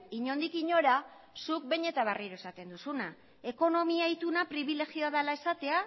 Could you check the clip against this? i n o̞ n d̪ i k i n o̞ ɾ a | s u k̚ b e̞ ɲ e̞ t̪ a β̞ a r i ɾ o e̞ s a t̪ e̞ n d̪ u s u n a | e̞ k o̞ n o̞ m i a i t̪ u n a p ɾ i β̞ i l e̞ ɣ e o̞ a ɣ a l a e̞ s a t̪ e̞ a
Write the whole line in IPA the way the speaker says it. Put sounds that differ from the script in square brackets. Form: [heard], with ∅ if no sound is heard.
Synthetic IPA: i [ɲ] o̞ n d̪ i k i [ɲ] o̞ ɾ a | s u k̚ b e̞ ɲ e̞ t̪ a β̞ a r i ɾ o e̞ s a t̪ e̞ n d̪ u s u n a | e̞ k o̞ n o̞ m i a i t̪ u n a p ɾ i β̞ i l e̞ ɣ [i] o̞ a [ð] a l a e̞ s a t̪ e̞ a